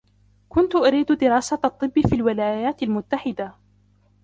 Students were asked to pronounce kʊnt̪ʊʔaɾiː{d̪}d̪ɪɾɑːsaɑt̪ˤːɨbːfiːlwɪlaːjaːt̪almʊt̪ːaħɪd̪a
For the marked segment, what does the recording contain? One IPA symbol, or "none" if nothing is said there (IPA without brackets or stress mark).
d̪